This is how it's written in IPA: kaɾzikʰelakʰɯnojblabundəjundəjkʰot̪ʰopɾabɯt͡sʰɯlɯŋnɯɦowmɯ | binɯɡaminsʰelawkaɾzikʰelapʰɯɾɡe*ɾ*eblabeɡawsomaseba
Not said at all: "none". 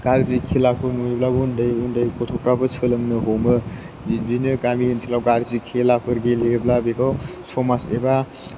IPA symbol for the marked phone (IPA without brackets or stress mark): l